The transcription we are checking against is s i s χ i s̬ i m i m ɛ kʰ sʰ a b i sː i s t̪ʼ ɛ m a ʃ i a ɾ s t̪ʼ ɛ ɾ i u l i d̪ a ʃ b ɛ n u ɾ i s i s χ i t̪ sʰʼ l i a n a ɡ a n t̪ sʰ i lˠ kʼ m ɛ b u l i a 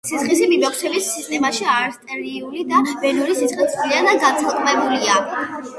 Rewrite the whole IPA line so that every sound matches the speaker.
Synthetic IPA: s i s χ i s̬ i m i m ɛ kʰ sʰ ɛ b i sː i s t̪ʼ ɛ m a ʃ i a ɾ s t̪ʼ ɛ ɾ i u l i d̪ a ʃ b ɛ n u ɾ i s i s χ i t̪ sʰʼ l i a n a ɡ a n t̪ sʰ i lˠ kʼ m ɛ b u l i a